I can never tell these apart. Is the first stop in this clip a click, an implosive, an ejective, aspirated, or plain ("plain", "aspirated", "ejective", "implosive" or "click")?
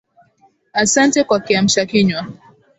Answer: plain